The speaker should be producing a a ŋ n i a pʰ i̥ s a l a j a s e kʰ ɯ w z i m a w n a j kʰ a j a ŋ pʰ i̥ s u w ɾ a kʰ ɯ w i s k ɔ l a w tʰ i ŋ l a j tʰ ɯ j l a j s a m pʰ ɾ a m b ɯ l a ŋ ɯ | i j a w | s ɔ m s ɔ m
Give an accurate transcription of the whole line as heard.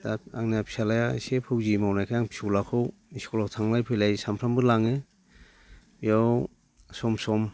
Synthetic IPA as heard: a a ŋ n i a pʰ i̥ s a l a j a s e pʰ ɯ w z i m a w n a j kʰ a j a ŋ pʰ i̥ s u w l a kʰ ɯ w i s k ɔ l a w tʰ a ŋ l a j pʰ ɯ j l a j s a m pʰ ɾ a m b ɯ l a ŋ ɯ | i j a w | s ɔ m s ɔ m